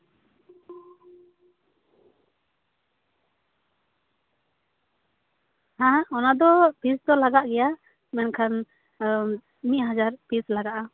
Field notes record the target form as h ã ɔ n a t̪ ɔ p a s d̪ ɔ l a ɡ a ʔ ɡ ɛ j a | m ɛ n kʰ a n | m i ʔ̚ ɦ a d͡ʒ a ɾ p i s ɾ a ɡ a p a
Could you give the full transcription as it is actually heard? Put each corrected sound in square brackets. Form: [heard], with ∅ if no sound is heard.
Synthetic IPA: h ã ɔ n a [d̪] ɔ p [i] s d̪ ɔ l a ɡ a ʔ ɡ ɛ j a | m ɛ n kʰ a n | m i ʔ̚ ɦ a d͡ʒ a ɾ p i s [l] a ɡ a [ʔ] a